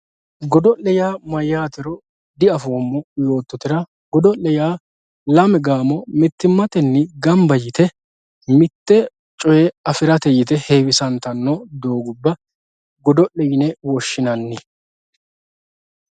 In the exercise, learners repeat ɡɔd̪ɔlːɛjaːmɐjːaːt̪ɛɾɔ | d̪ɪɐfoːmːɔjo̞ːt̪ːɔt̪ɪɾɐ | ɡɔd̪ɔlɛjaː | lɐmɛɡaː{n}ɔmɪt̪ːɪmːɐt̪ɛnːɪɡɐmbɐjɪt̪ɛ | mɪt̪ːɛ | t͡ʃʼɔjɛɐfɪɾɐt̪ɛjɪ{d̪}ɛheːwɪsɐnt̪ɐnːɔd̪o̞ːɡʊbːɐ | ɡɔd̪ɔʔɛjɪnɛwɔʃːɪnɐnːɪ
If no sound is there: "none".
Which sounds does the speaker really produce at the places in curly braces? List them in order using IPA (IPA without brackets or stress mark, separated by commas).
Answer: m, t̪